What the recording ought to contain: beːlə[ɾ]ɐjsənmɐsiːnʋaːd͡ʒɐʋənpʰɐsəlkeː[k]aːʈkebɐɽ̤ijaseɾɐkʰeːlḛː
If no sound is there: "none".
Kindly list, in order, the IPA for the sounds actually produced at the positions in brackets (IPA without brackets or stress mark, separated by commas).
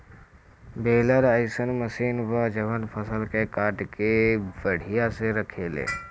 ɾ, k